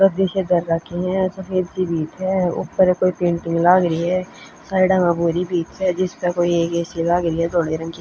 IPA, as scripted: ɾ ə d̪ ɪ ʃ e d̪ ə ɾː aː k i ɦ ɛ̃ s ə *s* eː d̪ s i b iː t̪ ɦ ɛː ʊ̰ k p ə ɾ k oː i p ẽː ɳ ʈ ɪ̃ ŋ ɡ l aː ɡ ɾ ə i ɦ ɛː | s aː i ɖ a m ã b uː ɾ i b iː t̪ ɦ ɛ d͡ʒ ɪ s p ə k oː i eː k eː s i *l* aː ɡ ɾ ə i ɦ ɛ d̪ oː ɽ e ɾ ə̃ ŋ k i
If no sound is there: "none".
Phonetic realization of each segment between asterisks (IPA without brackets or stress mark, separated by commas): f, l